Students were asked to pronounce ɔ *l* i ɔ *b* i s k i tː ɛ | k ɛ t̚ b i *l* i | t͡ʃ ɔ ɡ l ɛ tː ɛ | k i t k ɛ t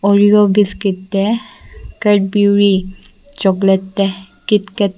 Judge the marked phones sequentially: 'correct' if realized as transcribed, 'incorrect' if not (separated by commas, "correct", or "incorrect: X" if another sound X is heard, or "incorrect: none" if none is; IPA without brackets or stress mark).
incorrect: ɹ, correct, incorrect: ɹ